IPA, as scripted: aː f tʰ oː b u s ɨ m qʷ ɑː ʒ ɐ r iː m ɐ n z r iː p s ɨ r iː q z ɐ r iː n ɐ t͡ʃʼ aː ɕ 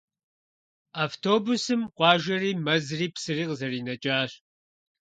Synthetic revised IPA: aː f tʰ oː b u s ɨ m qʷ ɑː ʒ ɐ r iː m ɐ z r iː p s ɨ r iː q z ɐ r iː n ɐ t͡ʃʼ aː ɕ